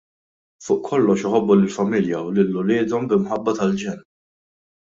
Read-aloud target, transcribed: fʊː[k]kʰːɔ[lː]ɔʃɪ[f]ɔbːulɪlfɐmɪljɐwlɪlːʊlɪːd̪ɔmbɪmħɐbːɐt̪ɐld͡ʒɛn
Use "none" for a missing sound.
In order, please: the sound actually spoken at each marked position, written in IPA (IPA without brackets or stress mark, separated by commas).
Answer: ʔ, lː, ħ